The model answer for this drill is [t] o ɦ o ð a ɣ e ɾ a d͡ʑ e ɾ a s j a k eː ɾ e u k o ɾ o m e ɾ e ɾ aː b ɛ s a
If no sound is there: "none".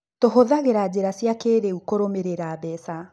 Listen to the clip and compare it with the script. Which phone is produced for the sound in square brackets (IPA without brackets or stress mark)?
t